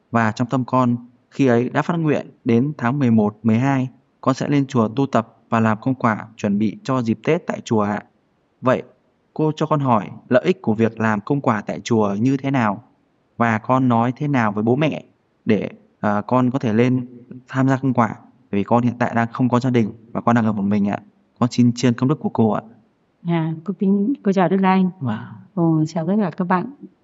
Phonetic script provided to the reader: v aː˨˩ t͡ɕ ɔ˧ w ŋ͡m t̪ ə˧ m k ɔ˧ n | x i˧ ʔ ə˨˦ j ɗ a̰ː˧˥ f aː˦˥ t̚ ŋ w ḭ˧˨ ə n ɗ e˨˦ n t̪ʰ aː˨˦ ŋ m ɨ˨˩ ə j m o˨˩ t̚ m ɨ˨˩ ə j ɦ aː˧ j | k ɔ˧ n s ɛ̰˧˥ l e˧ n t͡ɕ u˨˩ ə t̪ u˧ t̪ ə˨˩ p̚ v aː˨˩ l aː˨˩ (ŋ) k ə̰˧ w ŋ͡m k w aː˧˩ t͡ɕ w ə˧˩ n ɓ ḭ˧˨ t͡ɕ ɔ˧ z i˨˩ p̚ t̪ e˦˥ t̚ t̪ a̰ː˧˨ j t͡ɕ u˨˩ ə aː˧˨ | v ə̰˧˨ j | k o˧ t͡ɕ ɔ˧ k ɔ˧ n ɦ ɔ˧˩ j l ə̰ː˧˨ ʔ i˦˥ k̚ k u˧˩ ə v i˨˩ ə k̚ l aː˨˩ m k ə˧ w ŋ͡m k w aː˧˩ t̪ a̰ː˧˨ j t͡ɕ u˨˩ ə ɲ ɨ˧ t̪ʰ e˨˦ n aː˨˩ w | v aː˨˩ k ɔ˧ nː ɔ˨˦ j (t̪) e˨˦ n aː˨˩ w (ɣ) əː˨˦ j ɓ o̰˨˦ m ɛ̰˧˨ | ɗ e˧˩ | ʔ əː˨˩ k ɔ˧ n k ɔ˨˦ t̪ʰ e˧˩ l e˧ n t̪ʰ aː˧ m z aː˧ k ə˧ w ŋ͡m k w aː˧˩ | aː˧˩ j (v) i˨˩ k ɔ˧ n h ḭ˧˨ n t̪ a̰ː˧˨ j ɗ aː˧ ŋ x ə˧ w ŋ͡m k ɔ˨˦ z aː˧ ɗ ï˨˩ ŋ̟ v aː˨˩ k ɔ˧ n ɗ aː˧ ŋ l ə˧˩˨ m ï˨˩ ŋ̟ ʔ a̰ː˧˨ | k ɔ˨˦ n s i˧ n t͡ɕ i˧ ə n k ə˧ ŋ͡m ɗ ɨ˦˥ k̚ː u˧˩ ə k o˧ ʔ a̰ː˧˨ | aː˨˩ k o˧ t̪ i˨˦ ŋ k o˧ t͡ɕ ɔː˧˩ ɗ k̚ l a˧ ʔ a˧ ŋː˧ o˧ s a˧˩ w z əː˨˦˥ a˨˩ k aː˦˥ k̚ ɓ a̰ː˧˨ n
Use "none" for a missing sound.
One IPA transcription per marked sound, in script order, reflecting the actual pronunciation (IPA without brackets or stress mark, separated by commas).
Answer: m, t̪ʰ, v, v